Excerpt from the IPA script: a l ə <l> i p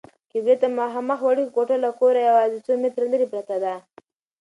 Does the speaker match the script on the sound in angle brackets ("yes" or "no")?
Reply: no